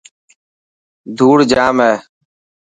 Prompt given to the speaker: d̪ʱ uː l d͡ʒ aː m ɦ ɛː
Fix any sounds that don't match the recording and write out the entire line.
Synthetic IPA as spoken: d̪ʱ uː ɽ d͡ʒ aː m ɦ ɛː

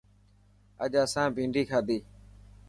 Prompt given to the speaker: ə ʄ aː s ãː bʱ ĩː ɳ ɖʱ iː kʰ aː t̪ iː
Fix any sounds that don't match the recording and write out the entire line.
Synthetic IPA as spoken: ə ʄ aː s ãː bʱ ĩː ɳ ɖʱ iː kʰ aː d̪ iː

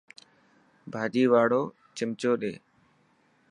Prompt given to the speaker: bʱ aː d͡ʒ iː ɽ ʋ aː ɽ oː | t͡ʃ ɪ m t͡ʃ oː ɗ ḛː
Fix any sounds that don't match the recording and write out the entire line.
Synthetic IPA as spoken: bʱ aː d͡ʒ iː ʋ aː ɽ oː | t͡ʃ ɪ m t͡ʃ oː ɗ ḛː

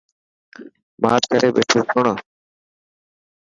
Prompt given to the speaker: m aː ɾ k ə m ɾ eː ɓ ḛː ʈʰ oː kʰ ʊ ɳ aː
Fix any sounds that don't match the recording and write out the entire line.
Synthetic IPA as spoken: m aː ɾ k ə ɾ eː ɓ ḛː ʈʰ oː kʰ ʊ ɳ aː

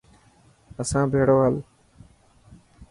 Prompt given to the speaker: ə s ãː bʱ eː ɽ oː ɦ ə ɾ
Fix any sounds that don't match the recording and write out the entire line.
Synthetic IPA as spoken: ə s ãː bʱ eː ɽ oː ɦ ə l

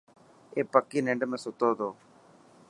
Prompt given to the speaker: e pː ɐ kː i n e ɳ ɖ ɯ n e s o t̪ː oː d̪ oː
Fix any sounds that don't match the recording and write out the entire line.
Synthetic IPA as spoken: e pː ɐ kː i n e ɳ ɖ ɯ m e s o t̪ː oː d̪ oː

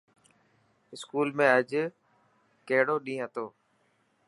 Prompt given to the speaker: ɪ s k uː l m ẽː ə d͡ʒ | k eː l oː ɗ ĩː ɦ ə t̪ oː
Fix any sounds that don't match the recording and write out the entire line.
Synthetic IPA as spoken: ɪ s k uː l m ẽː ə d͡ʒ | k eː ɽ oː ɗ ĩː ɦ ə t̪ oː

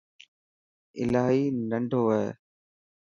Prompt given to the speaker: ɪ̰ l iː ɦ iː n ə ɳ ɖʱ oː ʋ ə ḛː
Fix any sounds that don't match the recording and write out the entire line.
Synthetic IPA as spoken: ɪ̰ l aː ɦ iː n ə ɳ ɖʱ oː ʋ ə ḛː

